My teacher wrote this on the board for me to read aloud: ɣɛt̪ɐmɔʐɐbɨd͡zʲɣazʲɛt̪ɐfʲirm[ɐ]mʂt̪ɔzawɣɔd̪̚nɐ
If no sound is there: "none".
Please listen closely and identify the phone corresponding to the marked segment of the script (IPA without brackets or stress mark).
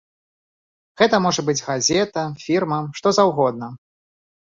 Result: ɐ